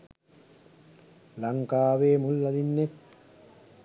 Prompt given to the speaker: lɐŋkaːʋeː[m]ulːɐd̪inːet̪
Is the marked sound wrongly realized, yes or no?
no